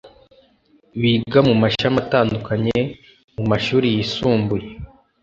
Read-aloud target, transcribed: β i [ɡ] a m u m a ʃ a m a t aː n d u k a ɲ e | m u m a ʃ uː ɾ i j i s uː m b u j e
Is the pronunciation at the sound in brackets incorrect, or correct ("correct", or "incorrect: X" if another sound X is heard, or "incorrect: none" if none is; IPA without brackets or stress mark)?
correct